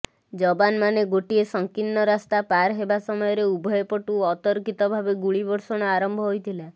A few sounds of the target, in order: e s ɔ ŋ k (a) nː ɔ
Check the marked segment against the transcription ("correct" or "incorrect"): incorrect